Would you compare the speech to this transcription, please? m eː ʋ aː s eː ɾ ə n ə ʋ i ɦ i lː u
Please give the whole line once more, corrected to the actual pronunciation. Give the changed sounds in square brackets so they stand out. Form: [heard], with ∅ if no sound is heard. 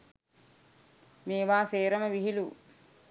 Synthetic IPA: m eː ʋ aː s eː ɾ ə [m] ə ʋ i ɦ i [l] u